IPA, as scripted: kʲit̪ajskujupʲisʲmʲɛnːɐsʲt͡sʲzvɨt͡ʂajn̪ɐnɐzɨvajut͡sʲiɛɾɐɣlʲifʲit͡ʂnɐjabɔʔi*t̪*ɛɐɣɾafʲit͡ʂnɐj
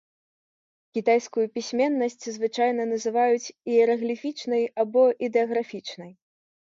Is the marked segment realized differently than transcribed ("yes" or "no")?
yes